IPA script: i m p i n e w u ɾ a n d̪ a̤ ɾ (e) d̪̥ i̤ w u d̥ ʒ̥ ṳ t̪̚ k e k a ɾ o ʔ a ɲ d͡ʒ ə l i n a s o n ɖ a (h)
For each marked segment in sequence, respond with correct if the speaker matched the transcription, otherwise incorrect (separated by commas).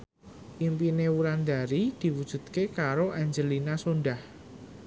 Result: incorrect, correct